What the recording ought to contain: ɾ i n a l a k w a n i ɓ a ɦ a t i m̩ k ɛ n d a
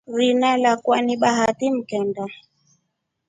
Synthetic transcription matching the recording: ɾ i n a l a k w a n i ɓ a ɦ a t i m̩ k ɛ n d a